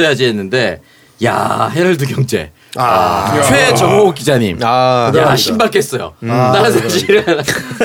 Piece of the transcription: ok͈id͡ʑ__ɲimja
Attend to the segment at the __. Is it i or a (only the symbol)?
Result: a